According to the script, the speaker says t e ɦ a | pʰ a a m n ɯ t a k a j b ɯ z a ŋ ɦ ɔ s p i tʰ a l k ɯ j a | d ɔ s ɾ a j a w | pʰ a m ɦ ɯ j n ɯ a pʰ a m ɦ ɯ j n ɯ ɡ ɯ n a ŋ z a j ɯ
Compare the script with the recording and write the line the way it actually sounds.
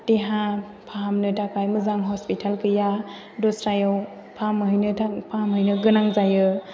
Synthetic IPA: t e ɦ a | pʰ a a m n ɯ t a k a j m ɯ z a ŋ ɦ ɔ s p i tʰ a l k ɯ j a | d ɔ s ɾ a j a w | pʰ a m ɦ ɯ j n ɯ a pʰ a m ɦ ɯ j n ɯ ɡ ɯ n a ŋ z a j ɯ